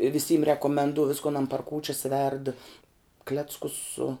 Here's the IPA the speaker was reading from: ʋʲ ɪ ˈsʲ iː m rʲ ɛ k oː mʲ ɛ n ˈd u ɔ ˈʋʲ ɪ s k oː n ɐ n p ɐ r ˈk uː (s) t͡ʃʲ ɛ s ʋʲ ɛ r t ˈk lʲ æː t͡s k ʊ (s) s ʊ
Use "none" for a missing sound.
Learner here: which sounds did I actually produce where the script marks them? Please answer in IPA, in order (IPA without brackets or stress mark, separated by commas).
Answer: none, s